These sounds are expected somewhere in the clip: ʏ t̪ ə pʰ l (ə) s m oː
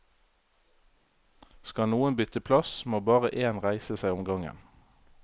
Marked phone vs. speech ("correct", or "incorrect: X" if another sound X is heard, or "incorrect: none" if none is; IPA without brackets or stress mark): incorrect: ɑ